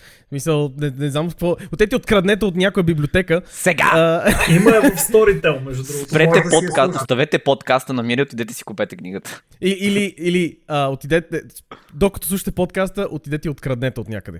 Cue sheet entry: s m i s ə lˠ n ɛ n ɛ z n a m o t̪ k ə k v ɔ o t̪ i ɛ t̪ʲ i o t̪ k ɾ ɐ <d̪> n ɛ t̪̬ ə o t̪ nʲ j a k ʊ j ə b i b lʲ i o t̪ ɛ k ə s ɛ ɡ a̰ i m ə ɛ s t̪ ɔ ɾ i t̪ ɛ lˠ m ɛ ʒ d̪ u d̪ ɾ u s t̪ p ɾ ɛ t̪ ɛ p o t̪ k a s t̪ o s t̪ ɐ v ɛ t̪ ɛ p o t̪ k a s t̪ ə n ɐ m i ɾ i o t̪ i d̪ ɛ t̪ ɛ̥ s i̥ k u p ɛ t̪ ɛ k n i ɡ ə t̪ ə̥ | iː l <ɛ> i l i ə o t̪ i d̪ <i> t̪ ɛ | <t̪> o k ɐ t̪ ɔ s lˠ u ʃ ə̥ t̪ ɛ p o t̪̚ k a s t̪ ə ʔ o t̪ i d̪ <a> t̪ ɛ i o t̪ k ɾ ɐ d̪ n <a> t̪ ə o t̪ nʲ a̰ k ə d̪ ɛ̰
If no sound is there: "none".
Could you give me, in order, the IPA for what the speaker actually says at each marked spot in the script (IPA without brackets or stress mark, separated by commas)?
d̪, i, ɛ, d̪, ɛ, ɛ